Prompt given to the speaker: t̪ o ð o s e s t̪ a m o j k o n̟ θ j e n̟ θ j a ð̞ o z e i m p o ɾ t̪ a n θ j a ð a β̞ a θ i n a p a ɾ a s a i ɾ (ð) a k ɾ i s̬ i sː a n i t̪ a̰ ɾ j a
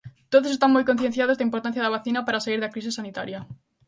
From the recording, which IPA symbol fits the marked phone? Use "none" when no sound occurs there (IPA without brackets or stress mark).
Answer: ð